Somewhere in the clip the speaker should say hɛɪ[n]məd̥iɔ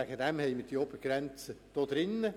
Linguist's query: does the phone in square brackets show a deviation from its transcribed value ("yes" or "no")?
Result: yes